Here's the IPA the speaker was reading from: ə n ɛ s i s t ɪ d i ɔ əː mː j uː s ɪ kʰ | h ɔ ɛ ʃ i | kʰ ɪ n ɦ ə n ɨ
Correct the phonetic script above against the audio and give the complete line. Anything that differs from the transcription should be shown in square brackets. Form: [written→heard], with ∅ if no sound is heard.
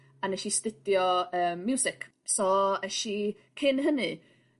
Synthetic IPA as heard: [ə→a] n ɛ [s→ʃ] i s t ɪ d [i→j] ɔ əː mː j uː s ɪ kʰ | [h→s] ɔ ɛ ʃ i | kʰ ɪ n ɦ ə n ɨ

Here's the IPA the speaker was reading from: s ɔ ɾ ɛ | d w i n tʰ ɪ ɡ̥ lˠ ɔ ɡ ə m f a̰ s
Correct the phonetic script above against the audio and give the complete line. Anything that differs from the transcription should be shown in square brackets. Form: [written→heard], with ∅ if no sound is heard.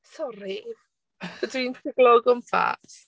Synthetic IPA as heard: s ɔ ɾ [ɛ→i] | d w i n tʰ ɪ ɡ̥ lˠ ɔ ɡ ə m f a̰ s

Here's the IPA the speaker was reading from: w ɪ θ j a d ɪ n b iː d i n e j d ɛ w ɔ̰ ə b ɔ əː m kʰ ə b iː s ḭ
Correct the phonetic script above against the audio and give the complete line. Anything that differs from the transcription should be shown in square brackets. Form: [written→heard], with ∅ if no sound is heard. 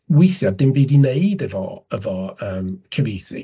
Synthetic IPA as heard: w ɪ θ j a d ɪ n b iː d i n e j d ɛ [w→v] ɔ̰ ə [b→v] ɔ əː m kʰ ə [b→v] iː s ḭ

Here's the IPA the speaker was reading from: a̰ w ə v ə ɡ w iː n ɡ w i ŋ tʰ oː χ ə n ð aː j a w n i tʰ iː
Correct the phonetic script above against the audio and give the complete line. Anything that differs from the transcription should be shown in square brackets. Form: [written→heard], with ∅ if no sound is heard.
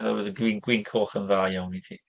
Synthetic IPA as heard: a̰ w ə [v→ð] ə ɡ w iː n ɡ w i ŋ [tʰ→kʰ] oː χ ə n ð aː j a w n i tʰ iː

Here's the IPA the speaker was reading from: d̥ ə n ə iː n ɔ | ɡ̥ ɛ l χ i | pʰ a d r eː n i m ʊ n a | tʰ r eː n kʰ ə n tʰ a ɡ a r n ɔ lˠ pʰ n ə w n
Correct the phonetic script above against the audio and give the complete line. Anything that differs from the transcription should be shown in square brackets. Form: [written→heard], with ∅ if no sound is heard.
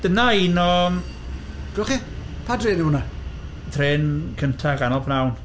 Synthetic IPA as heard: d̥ ə n [ə→a] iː n ɔ | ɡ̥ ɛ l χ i | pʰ a d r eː n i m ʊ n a | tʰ r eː n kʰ ə n tʰ a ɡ a [r→∅] n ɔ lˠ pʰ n [ə→a] w n

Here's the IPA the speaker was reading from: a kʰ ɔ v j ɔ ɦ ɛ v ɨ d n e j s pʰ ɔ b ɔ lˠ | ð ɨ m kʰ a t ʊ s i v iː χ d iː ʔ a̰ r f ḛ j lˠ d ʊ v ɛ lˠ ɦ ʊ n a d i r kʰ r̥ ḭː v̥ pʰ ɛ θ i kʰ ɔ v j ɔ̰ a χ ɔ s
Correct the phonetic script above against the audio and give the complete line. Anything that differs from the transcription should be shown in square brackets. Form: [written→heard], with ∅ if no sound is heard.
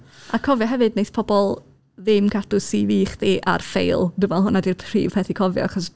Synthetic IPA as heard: a kʰ ɔ v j ɔ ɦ ɛ v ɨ d n e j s pʰ ɔ b ɔ lˠ | ð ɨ m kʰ a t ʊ s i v iː χ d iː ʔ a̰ r f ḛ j lˠ d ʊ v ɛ lˠ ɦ ʊ n a d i r [kʰ→pʰ] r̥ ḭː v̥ pʰ ɛ θ i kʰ ɔ v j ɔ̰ a χ ɔ s

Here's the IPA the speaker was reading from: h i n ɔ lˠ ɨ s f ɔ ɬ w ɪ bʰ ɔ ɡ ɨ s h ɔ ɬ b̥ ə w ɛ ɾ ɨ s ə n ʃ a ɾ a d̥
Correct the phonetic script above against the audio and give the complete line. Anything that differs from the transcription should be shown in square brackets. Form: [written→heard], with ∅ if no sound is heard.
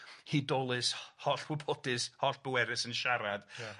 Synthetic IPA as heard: h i [n→d] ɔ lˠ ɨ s [f→h] ɔ ɬ w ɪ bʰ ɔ [ɡ→d] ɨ s h ɔ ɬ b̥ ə w ɛ ɾ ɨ s ə n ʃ a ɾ a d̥

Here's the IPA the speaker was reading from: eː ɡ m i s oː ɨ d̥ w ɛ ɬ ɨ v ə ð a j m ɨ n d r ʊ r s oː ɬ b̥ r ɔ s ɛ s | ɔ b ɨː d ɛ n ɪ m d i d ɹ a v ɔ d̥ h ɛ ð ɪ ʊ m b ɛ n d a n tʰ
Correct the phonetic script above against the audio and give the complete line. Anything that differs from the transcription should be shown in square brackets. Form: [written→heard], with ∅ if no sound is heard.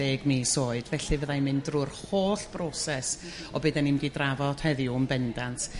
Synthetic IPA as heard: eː ɡ m i s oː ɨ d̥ [w→v] ɛ ɬ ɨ v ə ð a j m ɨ n d r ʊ r [s→h] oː ɬ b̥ r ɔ s ɛ s | ɔ b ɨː d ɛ n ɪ m d i d [ɹ→r] a v ɔ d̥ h ɛ ð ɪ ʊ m b ɛ n d a n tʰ

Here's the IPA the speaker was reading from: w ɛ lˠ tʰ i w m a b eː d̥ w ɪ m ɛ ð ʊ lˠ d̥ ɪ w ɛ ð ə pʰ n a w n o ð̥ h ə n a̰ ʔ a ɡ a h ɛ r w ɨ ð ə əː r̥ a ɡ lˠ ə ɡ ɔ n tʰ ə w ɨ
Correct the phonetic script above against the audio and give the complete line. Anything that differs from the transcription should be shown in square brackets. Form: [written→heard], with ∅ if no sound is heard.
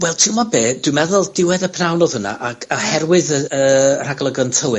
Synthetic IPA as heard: w ɛ lˠ tʰ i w m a b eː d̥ w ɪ m ɛ ð ʊ lˠ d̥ ɪ w ɛ ð ə pʰ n a w n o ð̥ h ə n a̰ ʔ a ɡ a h ɛ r w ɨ ð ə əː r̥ a ɡ lˠ ə ɡ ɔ n tʰ ə w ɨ

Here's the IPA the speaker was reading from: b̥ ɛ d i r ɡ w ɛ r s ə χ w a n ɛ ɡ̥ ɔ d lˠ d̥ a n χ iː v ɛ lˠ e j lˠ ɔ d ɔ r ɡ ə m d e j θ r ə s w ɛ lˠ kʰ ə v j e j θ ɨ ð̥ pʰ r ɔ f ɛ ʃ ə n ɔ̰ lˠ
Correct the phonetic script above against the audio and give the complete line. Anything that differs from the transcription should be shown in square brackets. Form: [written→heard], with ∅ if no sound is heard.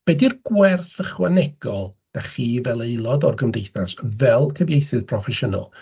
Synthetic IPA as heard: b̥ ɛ d i r ɡ w ɛ r [s→θ] ə χ w a n ɛ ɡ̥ ɔ [d→∅] lˠ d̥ a [n→∅] χ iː v ɛ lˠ e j lˠ ɔ d ɔ r ɡ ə m d e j θ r [ə→a] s [w→v] ɛ lˠ kʰ ə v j e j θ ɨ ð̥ pʰ r ɔ f ɛ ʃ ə n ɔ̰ lˠ

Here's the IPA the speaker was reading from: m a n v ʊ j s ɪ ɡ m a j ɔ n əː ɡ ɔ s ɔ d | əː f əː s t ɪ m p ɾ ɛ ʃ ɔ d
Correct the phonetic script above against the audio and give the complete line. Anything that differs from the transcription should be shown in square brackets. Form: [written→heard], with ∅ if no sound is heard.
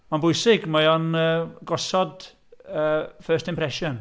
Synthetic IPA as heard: m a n [v→b] ʊ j s ɪ ɡ m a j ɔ n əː ɡ ɔ s ɔ d | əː f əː s t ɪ m p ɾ ɛ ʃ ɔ [d→n]

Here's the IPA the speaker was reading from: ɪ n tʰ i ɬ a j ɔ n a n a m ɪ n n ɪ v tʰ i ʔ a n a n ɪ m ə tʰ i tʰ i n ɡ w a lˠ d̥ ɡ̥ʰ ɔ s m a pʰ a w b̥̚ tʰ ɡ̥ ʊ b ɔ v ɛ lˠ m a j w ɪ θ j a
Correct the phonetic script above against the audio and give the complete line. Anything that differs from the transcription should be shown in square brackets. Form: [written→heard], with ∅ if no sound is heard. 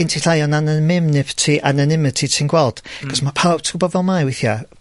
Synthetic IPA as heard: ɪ n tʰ i ɬ a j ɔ n a n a m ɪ [n→m] n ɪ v tʰ i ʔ a n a n ɪ m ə tʰ i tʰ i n ɡ w [a→ɛ] lˠ d̥ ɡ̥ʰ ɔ s m a pʰ a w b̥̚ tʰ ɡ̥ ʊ b ɔ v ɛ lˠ m a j w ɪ θ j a

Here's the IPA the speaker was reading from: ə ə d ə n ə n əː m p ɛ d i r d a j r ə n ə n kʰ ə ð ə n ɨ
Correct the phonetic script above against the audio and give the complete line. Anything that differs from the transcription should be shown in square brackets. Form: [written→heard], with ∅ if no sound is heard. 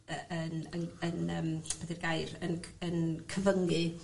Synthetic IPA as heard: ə ə [d→n] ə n ə n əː m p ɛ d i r [d→ɡ] a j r ə n ə n kʰ ə [ð→v] ə [n→ŋ] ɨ

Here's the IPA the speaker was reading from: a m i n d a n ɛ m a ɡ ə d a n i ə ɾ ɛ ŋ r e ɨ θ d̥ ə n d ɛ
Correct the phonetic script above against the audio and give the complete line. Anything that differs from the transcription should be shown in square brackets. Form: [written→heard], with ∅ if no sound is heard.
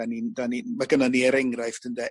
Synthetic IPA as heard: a [m→n] i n d a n [ɛ→i] m a ɡ ə [d→n] a n i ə ɾ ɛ ŋ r [e→a] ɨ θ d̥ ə n d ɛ

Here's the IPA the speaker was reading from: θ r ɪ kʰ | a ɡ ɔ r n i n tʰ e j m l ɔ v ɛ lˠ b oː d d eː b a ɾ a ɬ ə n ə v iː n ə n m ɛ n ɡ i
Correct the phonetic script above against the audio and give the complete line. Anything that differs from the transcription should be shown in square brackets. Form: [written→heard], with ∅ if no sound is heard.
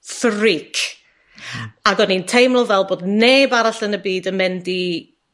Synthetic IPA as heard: θ r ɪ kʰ | a ɡ ɔ [r→∅] n i n tʰ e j m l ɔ v ɛ lˠ b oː d [d→n] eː b a ɾ a ɬ ə n ə [v→b] iː [n→d] ə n m ɛ n [ɡ→d] i

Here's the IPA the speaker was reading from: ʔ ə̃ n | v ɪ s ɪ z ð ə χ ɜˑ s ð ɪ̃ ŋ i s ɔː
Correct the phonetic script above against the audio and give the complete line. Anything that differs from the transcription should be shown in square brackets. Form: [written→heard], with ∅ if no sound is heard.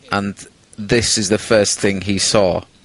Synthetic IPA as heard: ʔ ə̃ n | [v→ð] ɪ s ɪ z ð ə [χ→f] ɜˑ s [ð→θ] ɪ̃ ŋ i s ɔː

